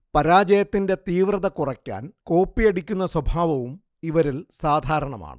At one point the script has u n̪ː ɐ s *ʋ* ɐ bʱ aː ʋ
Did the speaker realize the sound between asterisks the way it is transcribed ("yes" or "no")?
no